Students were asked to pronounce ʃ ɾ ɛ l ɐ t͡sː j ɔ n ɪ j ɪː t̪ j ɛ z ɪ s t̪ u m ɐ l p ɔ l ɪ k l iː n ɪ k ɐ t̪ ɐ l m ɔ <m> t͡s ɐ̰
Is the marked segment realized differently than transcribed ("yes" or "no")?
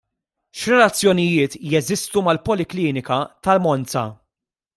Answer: yes